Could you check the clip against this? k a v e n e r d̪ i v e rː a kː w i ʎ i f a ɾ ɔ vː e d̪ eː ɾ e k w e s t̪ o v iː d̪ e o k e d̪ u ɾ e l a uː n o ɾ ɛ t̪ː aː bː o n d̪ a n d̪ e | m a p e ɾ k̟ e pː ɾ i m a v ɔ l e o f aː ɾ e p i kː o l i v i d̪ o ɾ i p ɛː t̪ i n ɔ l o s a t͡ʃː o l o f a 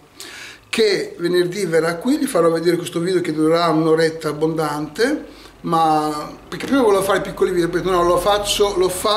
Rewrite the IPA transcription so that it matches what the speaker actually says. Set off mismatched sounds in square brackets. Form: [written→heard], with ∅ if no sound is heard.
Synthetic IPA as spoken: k [a→e] v e n e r d̪ i v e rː a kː w i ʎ i f a ɾ ɔ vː e d̪ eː ɾ e k w e s t̪ o v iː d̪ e o k e d̪ u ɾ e [l→ɾ] a [uː→u] n o ɾ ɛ t̪ː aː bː o n d̪ a n [d̪→t̪] e | m a p e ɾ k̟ e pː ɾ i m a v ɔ l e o f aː ɾ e p i kː o l i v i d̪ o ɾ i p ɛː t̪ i n ɔ l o [s→f] a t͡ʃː o l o f a

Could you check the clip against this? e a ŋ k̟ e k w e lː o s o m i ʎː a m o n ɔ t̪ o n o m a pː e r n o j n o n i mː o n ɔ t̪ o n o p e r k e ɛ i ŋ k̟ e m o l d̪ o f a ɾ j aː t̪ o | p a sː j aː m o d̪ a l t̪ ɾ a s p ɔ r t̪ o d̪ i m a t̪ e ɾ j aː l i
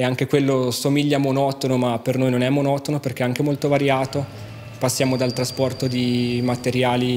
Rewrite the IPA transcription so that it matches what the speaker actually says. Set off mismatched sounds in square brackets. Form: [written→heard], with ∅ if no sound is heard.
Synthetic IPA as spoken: e a ŋ k̟ e k w e lː o s o m i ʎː a m o n ɔ t̪ o n o m a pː e r n o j n o n [i→ɛ] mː o n ɔ t̪ o n o p e r k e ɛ [i→a] ŋ k̟ e m o l [d̪→t̪] o [f→v] a ɾ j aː t̪ o | p a sː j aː m o d̪ a l t̪ ɾ a s p ɔ r t̪ o d̪ i m a t̪ e ɾ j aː l i

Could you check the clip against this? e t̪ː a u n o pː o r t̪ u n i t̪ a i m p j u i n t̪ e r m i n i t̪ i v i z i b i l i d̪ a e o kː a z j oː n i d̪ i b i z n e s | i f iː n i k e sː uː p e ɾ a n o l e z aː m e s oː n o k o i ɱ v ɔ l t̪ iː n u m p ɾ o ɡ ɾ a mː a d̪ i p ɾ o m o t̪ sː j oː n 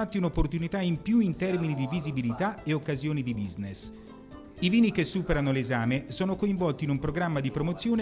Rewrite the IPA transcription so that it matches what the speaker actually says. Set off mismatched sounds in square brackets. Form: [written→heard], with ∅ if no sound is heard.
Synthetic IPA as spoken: [e→a] t̪ː [a→i] u n o pː o r t̪ u n i t̪ a i m p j u i n t̪ [e→ɛ] r m i n i [t̪→d̪] i v i z i b i l i [d̪→t̪] a e o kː a z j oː n i d̪ i b i z n e s | i [f→v] iː n i k e sː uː p e ɾ a n o l e z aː m e s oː n o k o i ɱ v ɔ l t̪ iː n u m p ɾ o ɡ ɾ a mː a d̪ i p ɾ o m o t̪ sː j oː n

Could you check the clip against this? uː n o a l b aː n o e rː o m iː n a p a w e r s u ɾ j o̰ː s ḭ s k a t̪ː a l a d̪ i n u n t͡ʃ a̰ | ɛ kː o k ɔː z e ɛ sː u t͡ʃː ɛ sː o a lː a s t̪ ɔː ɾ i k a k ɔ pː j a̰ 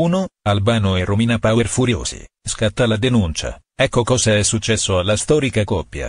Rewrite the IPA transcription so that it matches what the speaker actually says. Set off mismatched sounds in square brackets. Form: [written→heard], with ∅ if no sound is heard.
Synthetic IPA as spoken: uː n o a l b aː n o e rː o m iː n a p a w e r [s→f] u ɾ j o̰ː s ḭ s k a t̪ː a l a d̪ [i→e] n u n t͡ʃ a̰ | ɛ kː o k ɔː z [e→a] ɛ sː u t͡ʃː ɛ sː o a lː a s t̪ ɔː ɾ i k a k ɔ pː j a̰

